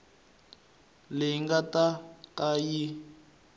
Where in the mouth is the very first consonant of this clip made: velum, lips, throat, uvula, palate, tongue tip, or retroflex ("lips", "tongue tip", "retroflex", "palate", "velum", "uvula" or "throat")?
tongue tip